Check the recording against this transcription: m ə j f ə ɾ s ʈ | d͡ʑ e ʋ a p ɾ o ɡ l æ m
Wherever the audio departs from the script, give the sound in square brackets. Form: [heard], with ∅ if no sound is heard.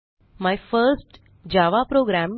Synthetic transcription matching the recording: m [a] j f ə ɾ s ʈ | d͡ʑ [a] ʋ a p ɾ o ɡ [ɾ] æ m